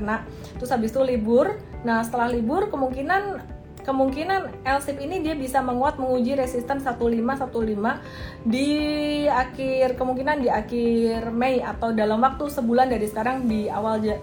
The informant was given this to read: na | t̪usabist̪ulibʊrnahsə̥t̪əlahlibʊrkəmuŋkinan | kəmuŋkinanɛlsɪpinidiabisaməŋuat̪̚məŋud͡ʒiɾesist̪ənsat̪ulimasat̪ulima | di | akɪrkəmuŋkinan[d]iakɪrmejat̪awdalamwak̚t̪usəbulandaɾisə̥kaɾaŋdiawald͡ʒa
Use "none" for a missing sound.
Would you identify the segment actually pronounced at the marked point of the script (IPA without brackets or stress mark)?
d